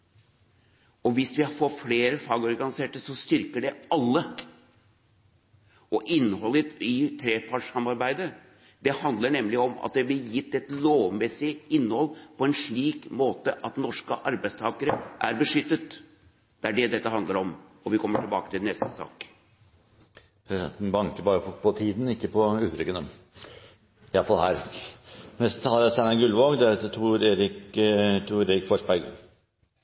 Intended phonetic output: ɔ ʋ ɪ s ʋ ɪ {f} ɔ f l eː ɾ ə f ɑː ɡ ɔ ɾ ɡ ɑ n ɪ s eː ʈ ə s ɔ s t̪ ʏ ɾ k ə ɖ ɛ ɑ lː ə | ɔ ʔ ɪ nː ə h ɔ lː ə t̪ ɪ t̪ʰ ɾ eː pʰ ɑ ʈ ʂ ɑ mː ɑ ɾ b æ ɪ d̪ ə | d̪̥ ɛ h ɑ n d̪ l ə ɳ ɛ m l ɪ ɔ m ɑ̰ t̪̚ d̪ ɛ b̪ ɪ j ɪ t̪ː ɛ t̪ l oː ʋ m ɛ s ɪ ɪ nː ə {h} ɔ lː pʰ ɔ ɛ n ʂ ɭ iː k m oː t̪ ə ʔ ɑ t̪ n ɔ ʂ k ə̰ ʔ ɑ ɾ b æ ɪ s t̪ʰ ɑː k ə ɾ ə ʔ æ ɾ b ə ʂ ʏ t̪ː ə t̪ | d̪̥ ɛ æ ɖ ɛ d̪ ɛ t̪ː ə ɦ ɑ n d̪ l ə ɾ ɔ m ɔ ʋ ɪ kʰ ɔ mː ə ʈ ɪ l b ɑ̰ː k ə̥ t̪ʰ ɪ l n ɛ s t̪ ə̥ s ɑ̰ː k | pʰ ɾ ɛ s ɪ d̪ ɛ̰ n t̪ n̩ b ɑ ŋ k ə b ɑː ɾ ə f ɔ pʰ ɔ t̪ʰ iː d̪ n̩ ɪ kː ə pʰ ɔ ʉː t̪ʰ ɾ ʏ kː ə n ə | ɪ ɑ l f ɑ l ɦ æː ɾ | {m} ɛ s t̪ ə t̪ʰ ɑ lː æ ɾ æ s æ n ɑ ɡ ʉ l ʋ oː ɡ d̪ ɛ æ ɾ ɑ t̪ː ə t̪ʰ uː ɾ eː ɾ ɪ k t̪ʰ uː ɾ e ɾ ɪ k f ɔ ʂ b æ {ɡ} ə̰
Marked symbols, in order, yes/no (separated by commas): yes, yes, no, yes